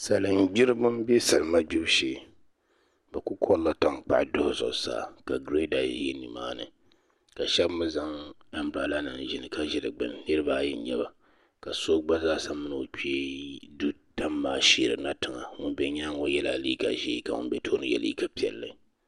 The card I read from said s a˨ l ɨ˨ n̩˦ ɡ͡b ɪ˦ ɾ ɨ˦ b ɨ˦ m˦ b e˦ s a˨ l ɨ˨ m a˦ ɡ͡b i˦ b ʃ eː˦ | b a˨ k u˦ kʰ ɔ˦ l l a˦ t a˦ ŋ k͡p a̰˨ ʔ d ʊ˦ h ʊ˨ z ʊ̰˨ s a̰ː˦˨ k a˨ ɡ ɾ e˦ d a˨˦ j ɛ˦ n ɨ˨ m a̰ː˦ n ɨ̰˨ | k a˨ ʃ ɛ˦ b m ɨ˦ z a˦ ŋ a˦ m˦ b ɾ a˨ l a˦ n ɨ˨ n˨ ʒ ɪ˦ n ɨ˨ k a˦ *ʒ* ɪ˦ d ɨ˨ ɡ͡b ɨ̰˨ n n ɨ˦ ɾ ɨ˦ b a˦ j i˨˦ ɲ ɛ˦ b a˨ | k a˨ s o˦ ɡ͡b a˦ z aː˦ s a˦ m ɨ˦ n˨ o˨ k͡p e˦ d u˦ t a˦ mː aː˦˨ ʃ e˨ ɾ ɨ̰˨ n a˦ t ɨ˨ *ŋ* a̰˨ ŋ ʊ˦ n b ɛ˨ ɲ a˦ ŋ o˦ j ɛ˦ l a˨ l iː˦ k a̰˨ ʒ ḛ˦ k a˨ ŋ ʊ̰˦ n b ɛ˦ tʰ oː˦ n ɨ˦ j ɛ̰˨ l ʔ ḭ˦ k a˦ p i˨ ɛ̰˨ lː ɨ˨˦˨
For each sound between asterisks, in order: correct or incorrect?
correct, correct

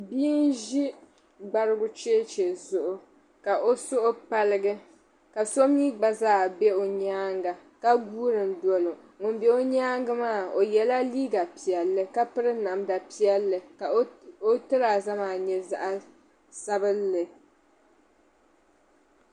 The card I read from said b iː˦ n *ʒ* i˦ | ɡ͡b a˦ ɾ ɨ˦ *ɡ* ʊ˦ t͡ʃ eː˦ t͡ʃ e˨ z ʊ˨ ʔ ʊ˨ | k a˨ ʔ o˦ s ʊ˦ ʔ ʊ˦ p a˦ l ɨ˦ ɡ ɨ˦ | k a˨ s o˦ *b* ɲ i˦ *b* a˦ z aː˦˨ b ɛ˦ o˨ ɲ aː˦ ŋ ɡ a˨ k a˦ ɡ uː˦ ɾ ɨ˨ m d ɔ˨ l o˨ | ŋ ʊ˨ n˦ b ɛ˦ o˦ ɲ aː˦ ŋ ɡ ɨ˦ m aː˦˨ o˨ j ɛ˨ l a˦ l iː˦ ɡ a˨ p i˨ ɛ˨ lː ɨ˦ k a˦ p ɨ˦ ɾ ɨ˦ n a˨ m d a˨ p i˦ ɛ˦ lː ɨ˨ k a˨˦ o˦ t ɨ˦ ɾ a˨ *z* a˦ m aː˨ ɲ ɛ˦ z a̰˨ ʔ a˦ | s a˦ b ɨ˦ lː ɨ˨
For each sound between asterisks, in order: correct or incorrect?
correct, correct, incorrect, incorrect, correct

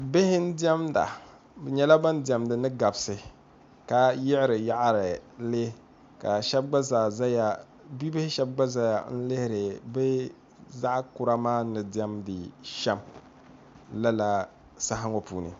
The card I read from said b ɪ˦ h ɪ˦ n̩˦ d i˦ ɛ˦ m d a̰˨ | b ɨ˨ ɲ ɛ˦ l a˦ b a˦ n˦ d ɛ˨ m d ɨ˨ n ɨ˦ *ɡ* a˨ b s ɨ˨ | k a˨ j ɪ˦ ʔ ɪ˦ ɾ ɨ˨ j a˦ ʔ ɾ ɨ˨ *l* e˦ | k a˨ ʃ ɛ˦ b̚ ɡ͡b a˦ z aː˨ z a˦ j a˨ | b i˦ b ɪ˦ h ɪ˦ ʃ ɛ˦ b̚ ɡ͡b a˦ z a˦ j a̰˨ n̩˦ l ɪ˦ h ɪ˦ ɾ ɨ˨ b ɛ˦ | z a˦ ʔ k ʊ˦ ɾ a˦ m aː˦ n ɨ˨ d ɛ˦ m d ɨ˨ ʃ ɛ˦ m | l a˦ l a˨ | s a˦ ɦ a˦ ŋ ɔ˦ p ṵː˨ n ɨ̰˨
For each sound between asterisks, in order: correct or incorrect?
correct, correct

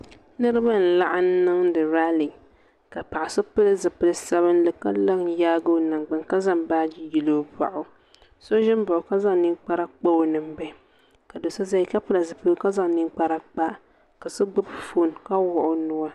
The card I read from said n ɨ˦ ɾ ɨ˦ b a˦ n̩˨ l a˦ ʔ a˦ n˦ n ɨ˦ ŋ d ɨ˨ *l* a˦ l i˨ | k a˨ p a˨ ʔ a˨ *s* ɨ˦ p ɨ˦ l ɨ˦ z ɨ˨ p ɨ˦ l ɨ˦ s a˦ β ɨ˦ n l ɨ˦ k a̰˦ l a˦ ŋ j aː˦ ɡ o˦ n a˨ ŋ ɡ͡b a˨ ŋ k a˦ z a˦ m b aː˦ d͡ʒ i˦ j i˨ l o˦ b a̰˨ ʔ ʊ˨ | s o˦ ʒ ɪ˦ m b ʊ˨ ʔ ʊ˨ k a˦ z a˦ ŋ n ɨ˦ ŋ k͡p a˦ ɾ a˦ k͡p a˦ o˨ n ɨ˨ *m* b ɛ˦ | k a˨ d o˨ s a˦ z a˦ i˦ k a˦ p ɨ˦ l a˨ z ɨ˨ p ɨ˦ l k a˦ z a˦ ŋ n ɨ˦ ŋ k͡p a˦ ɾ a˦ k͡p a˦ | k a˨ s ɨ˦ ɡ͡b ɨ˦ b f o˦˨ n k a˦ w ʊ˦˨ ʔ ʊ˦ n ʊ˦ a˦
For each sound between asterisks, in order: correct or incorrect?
incorrect, correct, correct

